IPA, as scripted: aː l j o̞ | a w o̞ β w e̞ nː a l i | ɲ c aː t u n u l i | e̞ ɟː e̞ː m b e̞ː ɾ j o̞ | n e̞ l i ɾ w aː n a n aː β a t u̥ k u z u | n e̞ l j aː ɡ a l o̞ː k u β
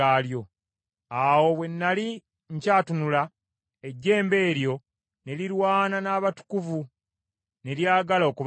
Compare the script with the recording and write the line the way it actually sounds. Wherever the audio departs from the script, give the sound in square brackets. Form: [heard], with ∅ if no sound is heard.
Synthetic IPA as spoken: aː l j o̞ | a w o̞ β w e̞ nː a l i | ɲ c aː t u n u l [a] | e̞ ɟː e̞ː m b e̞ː ɾ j o̞ | n e̞ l i ɾ w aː n a n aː β a t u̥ k u [v] u | n e̞ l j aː ɡ a l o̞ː k u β